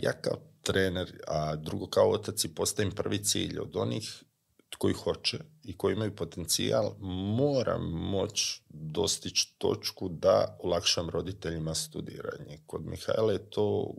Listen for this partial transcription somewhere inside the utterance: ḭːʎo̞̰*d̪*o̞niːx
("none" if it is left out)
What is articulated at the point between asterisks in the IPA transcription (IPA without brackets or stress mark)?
d̪